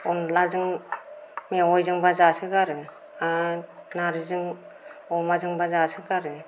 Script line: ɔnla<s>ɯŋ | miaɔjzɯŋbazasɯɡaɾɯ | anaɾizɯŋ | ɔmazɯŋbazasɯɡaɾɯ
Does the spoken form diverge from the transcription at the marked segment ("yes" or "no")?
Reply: yes